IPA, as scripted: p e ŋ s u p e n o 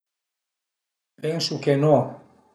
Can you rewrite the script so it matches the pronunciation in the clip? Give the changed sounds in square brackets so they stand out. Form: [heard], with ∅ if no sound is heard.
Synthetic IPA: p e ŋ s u [k] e n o

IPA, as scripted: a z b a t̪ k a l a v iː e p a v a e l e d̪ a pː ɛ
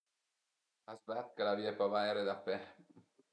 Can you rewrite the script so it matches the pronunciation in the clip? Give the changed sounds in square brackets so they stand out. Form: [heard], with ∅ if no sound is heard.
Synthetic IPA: a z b a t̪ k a l a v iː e p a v a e [ɾ] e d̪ a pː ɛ

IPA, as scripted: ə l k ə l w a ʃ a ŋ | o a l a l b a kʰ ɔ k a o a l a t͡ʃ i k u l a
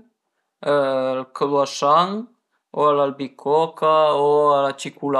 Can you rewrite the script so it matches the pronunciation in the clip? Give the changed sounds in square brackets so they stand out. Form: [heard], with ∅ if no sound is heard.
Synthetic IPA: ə l k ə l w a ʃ a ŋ | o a l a l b [i] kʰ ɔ k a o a l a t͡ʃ i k u l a

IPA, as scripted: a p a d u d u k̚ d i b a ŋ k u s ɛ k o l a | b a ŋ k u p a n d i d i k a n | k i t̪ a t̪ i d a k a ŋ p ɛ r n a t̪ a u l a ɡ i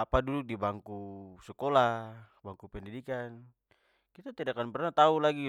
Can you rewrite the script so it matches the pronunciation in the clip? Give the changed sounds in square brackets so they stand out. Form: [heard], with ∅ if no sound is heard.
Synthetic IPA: a p a d u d u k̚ d i b a ŋ k u s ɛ k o l a | b a ŋ k u p [ɛ] n d i d i k a n | k i t̪ a t̪ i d a k a [n] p ɛ r n a t̪ a u l a ɡ i

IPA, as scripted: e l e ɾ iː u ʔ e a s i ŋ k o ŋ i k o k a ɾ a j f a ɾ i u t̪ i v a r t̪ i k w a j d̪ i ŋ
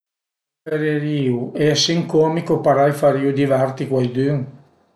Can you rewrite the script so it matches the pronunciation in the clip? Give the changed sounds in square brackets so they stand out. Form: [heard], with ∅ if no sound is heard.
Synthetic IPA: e [ɾ] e ɾ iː u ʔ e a s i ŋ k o [m] i k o [p] a ɾ a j f a ɾ i u [d̪] i v a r t̪ i k w a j d̪ [y] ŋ

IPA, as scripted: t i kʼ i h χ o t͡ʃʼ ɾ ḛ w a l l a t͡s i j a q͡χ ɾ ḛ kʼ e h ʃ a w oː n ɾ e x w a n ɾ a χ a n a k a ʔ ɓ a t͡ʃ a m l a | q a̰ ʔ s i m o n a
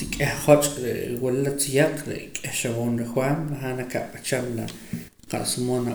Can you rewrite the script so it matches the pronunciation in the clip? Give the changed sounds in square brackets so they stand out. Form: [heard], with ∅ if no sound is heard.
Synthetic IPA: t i kʼ [e] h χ o t͡ʃʼ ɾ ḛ w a l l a t͡s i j a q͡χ ɾ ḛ kʼ e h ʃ a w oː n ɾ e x w a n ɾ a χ a n a k a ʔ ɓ a t͡ʃ a m l a | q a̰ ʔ s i m o n a

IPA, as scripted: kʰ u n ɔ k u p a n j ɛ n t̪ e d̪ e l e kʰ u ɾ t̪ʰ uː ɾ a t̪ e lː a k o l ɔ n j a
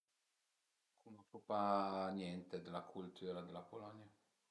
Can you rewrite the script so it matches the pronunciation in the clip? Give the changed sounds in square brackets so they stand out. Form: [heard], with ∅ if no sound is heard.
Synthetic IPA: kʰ u n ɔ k u p a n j ɛ n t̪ e d̪ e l [a] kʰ u [l] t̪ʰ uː ɾ a [d̪] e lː a [p] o l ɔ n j a

